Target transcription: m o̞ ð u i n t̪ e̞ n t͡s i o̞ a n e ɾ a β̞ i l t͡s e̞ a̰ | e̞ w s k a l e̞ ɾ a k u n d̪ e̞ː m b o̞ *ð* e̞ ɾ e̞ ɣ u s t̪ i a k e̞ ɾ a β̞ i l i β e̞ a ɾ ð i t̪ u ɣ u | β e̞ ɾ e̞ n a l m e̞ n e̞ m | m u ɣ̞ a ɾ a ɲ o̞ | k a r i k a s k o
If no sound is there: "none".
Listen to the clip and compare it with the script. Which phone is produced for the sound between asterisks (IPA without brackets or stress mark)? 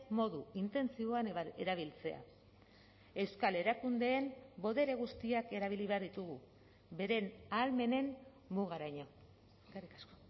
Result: ð